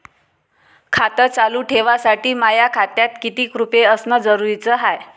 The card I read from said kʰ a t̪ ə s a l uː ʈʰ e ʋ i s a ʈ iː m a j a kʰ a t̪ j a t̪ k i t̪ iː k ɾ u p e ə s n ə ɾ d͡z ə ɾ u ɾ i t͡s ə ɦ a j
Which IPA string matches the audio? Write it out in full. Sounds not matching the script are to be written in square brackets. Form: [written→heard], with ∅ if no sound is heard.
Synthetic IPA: kʰ a t̪ ə [s→t͡s] a l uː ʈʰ e ʋ [i→a] s a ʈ iː m a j a kʰ a t̪ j a t̪ k i t̪ iː k ɾ u p e ə s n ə [ɾ→∅] d͡z ə ɾ u ɾ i t͡s ə ɦ a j